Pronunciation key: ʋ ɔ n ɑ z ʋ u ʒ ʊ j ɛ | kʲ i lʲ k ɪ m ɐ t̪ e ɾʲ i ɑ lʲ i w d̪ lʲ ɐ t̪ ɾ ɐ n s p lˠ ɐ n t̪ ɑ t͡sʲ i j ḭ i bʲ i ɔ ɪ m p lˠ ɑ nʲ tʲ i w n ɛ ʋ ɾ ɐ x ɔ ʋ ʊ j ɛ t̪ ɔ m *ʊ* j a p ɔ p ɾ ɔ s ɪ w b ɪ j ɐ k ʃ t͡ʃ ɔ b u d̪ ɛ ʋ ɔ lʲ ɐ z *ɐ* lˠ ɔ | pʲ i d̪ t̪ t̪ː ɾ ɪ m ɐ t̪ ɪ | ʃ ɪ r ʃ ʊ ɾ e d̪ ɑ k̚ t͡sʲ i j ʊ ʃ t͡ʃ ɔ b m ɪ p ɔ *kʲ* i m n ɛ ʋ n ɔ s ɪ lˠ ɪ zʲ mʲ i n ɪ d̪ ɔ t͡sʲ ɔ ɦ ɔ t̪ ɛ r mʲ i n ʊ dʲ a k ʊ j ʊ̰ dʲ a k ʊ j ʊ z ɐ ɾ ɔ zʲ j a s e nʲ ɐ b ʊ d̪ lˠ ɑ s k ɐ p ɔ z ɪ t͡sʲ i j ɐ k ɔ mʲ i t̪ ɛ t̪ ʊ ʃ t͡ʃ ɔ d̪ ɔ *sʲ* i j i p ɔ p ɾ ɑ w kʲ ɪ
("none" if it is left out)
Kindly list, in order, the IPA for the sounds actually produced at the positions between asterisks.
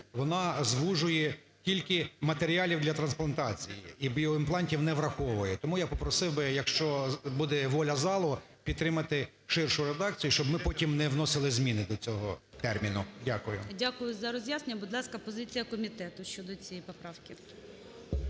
u, ɑ, tʲ, t͡sʲ

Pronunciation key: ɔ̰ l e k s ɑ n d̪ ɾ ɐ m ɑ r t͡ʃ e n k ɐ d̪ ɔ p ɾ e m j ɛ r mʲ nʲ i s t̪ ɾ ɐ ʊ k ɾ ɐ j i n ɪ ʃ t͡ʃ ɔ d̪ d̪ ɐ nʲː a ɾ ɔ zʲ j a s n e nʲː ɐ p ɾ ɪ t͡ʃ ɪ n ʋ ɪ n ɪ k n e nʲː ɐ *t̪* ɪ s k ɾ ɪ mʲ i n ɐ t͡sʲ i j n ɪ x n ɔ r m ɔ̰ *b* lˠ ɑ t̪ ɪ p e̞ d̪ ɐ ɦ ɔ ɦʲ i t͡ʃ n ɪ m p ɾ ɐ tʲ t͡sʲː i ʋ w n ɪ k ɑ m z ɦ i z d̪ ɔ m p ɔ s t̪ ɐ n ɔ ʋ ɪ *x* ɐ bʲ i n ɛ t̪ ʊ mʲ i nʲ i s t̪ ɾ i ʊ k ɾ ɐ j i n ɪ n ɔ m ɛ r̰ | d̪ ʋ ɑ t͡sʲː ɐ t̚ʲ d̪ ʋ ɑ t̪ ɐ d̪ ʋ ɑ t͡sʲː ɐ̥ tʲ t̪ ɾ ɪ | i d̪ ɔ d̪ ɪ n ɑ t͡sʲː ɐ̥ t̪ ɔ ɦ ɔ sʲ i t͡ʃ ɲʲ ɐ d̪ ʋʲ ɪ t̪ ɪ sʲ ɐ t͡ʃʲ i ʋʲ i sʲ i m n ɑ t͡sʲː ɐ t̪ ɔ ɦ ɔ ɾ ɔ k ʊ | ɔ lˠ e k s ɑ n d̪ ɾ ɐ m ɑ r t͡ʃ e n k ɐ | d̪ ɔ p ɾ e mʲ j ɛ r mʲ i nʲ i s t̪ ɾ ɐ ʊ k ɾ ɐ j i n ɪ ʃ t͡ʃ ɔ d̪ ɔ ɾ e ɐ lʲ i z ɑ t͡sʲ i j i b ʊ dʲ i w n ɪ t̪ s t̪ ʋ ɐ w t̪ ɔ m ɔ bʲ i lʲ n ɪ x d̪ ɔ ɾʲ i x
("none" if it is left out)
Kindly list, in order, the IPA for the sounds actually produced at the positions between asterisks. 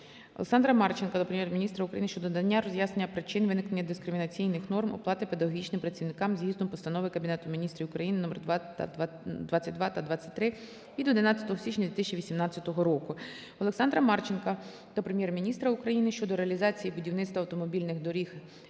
d̪, p, k

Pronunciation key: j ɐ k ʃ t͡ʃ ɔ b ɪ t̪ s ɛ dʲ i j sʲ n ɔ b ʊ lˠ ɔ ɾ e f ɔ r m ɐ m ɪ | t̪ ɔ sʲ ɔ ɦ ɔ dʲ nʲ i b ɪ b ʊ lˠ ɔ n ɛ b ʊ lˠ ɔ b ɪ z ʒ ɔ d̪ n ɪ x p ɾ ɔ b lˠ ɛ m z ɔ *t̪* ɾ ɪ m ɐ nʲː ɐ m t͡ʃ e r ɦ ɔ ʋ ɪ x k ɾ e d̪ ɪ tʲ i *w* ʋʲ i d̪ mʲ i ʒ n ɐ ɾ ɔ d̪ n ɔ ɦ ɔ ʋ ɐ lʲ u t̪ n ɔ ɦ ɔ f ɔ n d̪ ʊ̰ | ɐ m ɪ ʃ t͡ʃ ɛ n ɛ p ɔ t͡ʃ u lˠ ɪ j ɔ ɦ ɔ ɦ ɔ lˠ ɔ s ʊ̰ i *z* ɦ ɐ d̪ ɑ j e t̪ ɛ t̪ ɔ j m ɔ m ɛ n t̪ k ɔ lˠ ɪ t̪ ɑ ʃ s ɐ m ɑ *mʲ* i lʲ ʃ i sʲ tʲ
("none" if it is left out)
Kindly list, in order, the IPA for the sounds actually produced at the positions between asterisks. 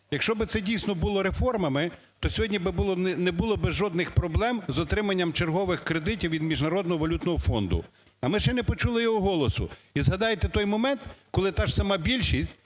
t̪, w, z, bʲ

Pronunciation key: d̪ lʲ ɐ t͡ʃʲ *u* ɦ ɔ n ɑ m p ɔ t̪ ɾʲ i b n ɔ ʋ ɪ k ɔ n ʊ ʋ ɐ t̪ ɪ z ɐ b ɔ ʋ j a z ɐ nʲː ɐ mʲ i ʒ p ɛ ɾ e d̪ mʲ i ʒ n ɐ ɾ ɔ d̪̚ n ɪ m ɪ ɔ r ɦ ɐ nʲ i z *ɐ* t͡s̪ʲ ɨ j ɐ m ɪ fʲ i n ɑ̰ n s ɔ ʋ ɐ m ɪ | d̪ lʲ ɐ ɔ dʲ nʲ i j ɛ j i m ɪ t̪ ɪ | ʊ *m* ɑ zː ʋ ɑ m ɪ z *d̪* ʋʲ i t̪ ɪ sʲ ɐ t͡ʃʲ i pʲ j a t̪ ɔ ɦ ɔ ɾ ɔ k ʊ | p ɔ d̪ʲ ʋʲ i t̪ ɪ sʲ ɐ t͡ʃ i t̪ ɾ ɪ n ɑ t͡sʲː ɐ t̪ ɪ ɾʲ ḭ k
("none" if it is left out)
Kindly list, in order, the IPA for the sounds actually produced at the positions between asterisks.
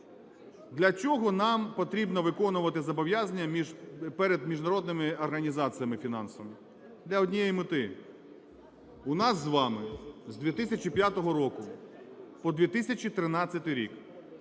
ɔ, ɑ, n, d̪

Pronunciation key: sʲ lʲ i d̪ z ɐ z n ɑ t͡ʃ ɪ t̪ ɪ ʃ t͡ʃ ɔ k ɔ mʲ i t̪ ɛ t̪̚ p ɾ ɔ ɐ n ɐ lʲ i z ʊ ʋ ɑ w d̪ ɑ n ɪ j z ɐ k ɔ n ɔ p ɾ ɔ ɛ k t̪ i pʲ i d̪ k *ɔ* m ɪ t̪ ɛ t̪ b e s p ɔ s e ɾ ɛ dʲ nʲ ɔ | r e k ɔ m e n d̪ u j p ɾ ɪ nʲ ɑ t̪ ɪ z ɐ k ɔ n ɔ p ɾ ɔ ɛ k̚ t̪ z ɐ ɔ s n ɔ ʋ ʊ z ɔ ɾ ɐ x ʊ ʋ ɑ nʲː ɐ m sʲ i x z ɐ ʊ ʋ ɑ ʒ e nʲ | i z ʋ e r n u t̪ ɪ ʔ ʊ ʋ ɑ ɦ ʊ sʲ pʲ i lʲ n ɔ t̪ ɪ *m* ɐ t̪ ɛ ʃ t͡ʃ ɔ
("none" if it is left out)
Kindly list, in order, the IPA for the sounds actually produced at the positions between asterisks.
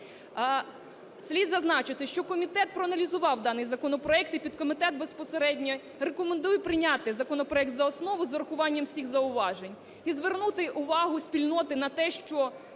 ɔ, n

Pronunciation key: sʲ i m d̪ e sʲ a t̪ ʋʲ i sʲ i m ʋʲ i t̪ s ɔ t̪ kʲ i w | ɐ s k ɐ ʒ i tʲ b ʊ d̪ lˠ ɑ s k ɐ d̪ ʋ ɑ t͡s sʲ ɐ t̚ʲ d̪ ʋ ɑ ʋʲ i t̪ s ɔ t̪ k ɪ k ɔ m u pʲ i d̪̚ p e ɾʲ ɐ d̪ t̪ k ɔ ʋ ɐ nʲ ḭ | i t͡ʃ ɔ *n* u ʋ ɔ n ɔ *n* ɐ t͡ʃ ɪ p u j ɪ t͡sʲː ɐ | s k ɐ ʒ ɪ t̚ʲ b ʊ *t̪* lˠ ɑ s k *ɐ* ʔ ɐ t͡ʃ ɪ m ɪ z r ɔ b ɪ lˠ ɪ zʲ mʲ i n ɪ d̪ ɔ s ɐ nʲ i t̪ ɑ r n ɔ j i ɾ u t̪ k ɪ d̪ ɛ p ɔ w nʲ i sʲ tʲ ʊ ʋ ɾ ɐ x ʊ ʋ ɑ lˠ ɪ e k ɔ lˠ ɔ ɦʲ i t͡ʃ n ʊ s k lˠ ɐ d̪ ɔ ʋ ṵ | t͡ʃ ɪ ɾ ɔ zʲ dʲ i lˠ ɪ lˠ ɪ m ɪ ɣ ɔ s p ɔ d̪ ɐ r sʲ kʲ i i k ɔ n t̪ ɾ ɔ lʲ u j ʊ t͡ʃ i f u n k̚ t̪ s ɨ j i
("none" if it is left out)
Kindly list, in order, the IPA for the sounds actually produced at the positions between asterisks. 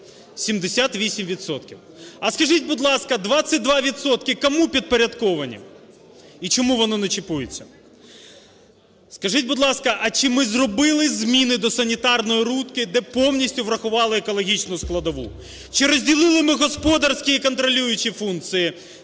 m, n, d̪, ɐ

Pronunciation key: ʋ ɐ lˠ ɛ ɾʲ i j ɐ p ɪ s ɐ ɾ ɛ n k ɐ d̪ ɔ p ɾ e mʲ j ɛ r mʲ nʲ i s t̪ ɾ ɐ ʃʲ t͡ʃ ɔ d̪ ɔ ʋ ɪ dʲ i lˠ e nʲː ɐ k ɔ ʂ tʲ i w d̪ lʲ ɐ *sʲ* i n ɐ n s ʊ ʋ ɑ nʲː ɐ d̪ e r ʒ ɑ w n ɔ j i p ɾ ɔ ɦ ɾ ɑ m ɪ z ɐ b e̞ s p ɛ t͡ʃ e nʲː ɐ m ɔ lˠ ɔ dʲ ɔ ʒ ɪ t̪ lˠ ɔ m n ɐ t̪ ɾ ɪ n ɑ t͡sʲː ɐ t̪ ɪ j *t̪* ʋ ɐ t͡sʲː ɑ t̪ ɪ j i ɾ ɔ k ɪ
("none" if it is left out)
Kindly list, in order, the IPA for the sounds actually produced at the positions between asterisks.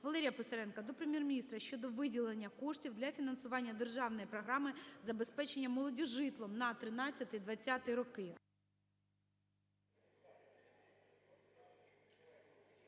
fʲ, d̪

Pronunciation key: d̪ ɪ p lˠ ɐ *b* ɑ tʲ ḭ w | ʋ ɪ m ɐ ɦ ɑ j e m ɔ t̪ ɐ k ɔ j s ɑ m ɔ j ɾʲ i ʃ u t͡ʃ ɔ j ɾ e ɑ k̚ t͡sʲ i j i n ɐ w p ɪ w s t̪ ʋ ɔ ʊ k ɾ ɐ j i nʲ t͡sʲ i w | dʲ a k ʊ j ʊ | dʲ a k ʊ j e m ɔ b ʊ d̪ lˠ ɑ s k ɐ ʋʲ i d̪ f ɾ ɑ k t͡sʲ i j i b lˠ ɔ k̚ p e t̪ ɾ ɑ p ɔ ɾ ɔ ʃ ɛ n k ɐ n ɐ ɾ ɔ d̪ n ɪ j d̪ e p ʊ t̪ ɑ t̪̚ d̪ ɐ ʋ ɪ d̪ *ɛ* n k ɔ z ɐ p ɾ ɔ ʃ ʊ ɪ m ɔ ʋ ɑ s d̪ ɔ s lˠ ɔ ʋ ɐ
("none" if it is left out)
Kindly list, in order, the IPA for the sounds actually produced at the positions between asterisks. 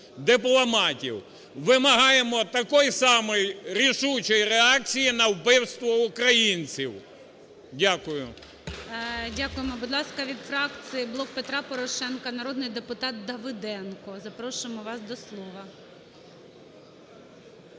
m, ɛ

